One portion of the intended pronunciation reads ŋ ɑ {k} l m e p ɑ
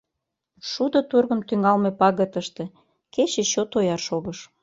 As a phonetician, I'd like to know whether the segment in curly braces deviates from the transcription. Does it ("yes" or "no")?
yes